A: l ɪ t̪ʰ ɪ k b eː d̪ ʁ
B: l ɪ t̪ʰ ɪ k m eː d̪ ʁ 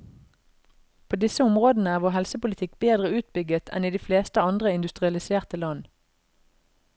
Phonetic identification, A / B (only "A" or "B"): A